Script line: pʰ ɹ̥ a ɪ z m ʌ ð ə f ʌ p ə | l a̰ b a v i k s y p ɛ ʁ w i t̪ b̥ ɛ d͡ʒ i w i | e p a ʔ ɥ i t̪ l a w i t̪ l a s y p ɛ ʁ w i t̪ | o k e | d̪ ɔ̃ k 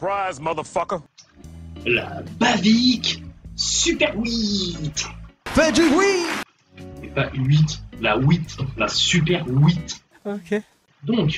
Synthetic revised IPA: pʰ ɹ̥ a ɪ z m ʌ ð ə f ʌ k ə | l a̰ b a v i k s y p ɛ ʁ w i t̪ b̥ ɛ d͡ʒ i w i | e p a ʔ ɥ i t̪ l a w i t̪ l a s y p ɛ ʁ w i t̪ | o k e | d̪ ɔ̃ k